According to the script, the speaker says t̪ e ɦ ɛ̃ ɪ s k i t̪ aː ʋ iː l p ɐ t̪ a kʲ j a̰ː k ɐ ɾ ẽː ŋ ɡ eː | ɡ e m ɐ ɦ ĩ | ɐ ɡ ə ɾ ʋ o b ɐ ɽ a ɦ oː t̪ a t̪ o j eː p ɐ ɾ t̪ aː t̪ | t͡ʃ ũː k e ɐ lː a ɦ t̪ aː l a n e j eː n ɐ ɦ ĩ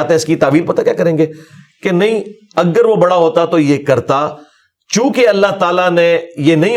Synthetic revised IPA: t̪ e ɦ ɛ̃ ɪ s k i t̪ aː ʋ iː l p ɐ t̪ a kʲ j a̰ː k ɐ ɾ ẽː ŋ ɡ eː | k e n ɐ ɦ ĩ | ɐ ɡ ə ɾ ʋ o b ɐ ɽ a ɦ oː t̪ a t̪ o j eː k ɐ ɾ t̪ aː | t͡ʃ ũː k e ɐ lː a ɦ t̪ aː l a n e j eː n ɐ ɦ ĩ